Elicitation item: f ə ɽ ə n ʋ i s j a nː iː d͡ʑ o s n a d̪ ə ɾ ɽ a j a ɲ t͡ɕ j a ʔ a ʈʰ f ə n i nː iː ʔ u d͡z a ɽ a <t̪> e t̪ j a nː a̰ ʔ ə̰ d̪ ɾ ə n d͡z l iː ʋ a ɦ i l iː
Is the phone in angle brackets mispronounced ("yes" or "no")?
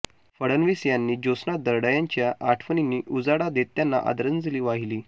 yes